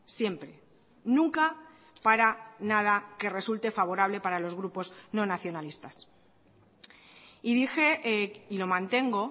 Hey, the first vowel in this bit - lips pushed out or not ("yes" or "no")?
no